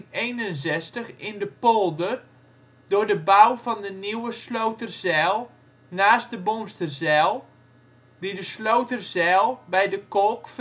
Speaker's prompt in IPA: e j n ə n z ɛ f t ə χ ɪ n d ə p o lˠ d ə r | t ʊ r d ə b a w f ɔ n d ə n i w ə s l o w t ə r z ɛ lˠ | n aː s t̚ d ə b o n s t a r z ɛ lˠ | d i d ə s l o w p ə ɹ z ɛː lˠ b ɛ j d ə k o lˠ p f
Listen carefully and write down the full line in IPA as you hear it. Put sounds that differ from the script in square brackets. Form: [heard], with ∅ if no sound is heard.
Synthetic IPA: e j n ə n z ɛ [s] t ə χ ɪ n d ə p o lˠ d ə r | [d] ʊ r d ə b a w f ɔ n d ə n i w ə s l o w t ə r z ɛ lˠ | n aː s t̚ d ə b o n s t [ə] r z ɛ lˠ | d i d ə s l o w [t] ə [r] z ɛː lˠ b ɛ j d ə k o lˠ [k] f